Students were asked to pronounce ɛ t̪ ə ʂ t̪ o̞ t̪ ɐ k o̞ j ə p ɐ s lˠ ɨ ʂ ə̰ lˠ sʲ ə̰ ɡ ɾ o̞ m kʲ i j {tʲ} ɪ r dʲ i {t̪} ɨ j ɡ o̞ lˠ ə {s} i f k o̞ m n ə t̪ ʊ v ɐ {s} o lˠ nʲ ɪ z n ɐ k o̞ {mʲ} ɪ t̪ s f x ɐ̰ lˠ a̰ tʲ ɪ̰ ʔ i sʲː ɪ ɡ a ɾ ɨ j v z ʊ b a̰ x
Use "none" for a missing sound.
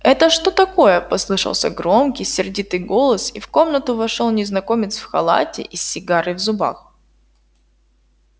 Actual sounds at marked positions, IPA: sʲ, t̪, s, ʂ, mʲ

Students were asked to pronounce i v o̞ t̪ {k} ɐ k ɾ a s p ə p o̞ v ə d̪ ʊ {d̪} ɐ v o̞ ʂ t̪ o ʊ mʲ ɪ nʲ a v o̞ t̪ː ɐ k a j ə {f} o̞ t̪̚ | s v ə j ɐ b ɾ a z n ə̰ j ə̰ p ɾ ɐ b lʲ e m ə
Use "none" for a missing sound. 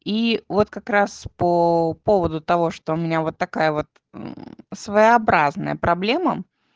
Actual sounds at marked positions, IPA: k, t̪, v

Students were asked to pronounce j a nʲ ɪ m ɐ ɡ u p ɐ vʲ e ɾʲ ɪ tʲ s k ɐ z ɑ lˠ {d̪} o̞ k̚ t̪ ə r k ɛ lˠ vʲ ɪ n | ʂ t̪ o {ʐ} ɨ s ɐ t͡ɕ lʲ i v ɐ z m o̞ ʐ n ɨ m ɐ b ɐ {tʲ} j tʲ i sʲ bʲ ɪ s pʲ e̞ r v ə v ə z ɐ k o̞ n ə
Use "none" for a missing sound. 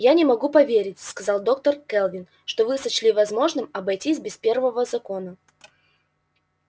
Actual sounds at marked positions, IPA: d̪, v, none

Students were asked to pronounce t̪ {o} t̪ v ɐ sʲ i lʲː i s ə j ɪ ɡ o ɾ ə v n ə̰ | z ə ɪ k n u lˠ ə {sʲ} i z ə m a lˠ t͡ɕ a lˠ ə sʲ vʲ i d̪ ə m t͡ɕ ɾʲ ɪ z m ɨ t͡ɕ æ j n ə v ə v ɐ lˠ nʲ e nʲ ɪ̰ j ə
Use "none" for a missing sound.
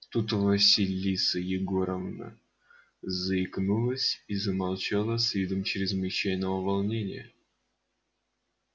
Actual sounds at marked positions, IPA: u, sʲ

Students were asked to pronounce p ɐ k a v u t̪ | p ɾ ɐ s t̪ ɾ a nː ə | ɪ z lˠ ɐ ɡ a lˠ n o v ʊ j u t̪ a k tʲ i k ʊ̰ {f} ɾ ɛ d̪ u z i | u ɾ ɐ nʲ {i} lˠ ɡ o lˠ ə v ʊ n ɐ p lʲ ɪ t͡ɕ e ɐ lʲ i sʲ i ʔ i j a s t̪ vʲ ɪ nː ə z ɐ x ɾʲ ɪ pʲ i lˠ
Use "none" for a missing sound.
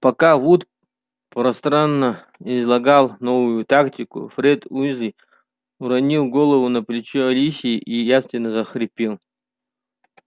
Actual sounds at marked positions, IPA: f, i

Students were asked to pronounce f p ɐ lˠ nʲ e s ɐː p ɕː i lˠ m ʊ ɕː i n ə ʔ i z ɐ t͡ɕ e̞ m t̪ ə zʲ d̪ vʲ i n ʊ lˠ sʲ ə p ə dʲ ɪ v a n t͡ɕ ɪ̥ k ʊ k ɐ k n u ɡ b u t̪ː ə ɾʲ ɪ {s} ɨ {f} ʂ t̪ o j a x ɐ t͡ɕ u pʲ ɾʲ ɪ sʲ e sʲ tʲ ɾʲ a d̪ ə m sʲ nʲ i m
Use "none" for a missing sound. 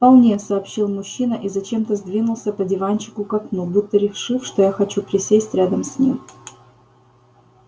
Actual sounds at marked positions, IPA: ʂ, f

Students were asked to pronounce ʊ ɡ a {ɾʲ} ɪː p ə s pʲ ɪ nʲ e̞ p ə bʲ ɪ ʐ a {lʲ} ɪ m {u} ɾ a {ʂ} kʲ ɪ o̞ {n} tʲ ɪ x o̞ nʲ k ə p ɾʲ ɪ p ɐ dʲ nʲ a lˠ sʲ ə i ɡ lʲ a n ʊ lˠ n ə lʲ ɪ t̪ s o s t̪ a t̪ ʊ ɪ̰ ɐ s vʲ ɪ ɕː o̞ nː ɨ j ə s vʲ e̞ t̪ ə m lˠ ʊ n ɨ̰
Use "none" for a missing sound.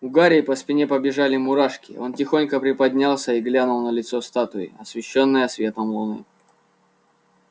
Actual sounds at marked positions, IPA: ɾʲ, lʲ, ʊ, ʂ, n

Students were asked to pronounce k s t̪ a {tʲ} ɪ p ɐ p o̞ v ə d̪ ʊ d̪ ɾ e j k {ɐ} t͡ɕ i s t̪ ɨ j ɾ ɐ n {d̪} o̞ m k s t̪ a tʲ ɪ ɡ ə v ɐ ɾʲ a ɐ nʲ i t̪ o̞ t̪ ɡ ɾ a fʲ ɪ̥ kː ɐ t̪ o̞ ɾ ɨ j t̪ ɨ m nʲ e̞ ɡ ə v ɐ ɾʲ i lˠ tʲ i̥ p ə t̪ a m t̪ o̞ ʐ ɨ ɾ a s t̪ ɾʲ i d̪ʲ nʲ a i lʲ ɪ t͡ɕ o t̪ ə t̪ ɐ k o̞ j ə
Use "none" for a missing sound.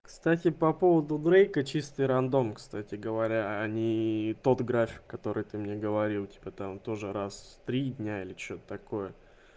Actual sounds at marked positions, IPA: tʲ, ə, d̪

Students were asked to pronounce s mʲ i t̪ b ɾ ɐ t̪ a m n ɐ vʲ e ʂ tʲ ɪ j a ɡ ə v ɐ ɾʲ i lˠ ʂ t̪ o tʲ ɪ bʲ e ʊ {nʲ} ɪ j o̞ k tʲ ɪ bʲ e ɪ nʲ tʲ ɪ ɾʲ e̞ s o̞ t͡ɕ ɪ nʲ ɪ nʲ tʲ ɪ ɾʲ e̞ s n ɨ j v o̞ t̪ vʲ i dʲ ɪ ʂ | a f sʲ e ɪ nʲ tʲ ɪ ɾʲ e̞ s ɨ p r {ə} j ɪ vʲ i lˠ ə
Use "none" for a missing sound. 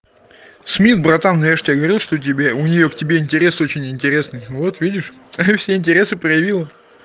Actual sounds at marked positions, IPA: nʲ, ə

